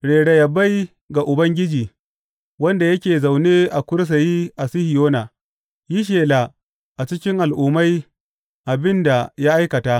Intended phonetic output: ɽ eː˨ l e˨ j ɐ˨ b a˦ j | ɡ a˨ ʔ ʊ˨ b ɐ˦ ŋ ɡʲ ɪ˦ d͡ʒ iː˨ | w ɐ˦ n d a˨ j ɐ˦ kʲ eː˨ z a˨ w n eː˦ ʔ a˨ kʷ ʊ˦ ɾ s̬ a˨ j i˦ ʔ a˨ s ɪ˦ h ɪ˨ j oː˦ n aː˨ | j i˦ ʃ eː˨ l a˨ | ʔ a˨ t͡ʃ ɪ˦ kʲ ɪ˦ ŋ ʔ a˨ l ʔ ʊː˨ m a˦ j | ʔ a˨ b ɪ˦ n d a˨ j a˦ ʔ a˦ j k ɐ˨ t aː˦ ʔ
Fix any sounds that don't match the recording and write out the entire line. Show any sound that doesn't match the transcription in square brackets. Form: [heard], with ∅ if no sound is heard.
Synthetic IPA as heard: ɽ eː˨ [ɽ] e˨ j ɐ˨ b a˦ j | ɡ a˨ ʔ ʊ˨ b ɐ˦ ŋ ɡʲ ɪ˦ d͡ʒ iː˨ | w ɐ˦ n d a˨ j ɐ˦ kʲ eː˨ z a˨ w n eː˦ ʔ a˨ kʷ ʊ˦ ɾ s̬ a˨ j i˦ ʔ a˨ s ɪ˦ h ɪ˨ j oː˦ n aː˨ | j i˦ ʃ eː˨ l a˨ | ʔ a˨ t͡ʃ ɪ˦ kʲ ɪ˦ ŋ ʔ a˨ l ʔ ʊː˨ m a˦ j | ʔ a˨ b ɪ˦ n d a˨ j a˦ ʔ a˦ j k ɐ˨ t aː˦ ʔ